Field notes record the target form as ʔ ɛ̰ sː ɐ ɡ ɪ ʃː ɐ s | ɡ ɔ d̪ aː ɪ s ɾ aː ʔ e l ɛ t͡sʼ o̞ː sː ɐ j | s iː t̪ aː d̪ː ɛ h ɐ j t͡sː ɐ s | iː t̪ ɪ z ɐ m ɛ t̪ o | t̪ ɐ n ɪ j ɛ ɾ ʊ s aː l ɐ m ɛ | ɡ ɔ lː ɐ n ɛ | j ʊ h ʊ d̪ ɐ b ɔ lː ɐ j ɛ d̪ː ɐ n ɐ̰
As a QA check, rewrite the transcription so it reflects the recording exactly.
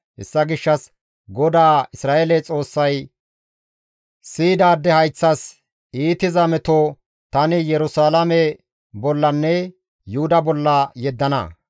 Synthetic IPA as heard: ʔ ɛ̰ sː ɐ ɡ ɪ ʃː ɐ s | ɡ ɔ d̪ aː ɪ s ɾ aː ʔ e l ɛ t͡sʼ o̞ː sː ɐ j | s iː d̪ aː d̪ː ɛ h ɐ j t͡sː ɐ s | iː t̪ ɪ z ɐ m ɛ t̪ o | t̪ ɐ n ɪ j ɛ ɾ ʊ s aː l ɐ m ɛ | b ɔ lː ɐ nː ɛ | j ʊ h ʊ d̪ ɐ b ɔ lː ɐ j ɛ d̪ː ɐ n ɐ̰